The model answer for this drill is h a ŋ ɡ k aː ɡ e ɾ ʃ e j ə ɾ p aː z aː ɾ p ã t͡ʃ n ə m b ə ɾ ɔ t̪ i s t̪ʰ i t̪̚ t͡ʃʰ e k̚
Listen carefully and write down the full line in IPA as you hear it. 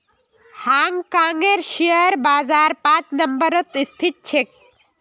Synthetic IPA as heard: h a ŋ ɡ k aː ŋ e ɾ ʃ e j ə ɾ b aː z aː ɾ p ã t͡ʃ n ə m b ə ɾ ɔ t̪ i s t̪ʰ i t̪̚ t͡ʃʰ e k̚